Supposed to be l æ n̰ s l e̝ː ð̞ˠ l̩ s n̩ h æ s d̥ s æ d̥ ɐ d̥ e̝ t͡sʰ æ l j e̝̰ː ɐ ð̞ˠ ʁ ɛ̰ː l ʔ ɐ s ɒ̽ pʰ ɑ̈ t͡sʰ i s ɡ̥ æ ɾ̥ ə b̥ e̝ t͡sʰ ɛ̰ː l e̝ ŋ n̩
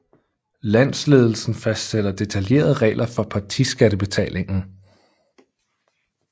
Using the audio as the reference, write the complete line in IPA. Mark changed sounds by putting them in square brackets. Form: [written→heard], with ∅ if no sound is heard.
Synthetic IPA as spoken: l æ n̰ s l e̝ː ð̞ˠ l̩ s n̩ [h→f] æ s d̥ s [æ→e] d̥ ɐ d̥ e̝ t͡sʰ æ l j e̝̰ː ɐ ð̞ˠ ʁ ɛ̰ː l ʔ ɐ [s→f] ɒ̽ pʰ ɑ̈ t͡sʰ i s ɡ̥ æ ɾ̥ ə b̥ e̝ t͡sʰ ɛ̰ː l e̝ ŋ n̩